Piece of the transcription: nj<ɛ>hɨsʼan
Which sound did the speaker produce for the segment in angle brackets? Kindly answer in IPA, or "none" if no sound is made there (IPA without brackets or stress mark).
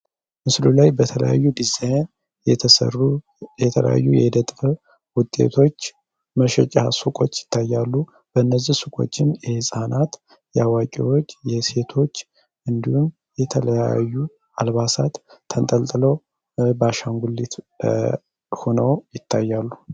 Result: ɛ